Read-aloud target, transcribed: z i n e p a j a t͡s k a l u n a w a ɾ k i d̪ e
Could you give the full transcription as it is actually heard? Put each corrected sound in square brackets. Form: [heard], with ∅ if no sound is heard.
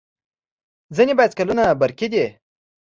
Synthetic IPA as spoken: z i n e [b] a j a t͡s k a l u n a [b] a ɾ k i d̪ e